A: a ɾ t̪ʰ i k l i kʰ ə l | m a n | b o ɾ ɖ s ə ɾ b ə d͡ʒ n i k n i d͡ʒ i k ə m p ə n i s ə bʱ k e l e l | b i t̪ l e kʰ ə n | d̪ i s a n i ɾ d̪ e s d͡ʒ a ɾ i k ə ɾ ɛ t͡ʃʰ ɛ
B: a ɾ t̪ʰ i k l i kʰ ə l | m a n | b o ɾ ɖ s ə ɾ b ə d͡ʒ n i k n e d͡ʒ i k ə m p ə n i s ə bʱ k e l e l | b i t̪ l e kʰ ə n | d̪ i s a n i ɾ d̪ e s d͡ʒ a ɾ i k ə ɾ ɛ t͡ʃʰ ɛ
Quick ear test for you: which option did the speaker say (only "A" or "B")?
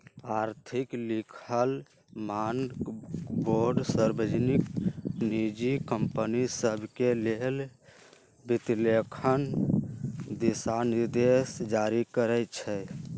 A